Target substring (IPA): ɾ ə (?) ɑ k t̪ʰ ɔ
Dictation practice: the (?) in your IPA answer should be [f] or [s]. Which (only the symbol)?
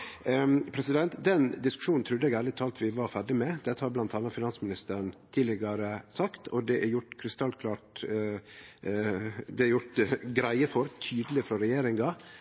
s